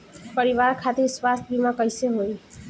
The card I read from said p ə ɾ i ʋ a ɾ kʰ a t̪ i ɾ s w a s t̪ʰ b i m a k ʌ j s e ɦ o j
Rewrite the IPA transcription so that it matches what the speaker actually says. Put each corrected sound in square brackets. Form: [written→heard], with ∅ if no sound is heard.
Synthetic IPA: p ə ɾ i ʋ a ɾ kʰ a t̪ i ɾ s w a s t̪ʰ b i m a k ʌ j s e ɦ o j